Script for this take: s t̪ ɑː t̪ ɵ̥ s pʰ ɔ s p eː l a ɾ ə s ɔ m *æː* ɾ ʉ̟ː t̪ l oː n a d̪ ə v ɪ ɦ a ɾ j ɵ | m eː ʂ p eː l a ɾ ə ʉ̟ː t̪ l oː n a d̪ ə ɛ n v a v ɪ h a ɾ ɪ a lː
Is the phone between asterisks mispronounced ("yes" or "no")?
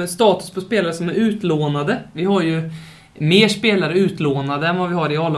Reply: yes